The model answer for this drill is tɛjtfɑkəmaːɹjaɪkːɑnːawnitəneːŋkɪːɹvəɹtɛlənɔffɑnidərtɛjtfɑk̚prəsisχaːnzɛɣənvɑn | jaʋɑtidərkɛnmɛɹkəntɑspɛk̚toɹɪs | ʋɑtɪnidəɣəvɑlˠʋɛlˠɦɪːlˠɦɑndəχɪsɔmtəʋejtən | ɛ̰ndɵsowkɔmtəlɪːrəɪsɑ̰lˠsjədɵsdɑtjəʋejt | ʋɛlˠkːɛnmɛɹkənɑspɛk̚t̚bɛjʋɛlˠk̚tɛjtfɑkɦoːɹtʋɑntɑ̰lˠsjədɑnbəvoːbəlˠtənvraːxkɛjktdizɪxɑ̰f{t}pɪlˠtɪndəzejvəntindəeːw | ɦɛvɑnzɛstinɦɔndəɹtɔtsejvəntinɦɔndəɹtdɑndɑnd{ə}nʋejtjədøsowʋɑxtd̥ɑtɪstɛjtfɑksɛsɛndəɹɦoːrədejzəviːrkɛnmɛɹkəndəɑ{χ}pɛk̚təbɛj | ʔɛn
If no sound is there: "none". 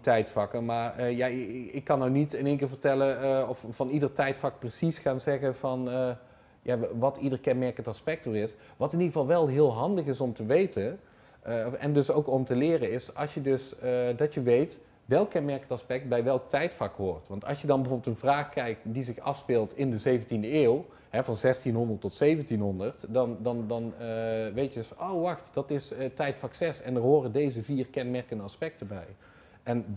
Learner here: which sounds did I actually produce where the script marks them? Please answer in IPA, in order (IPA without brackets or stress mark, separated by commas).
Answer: s, ɑ, s